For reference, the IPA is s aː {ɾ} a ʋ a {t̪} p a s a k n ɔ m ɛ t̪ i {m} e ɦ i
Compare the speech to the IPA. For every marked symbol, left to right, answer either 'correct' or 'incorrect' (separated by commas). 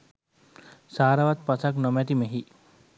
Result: correct, correct, correct